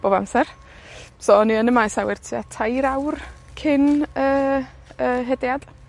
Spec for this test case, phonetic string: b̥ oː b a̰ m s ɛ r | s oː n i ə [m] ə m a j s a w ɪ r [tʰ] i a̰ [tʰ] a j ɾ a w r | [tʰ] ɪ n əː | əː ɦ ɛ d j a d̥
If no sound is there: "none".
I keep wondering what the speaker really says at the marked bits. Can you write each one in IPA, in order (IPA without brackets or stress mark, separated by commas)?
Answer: n, tʰ, tʰ, kʰ